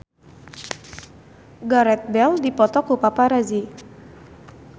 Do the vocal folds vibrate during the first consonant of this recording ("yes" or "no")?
yes